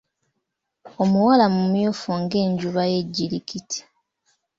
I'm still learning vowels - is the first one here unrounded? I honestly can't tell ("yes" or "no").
no